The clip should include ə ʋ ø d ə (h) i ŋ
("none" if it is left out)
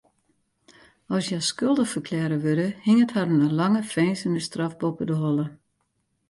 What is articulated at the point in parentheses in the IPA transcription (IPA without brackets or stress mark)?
h